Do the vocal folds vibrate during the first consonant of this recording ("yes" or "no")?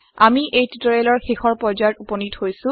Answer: yes